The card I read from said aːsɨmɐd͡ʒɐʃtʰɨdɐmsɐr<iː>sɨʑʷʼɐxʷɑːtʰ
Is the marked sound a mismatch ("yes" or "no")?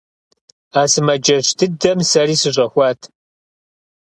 no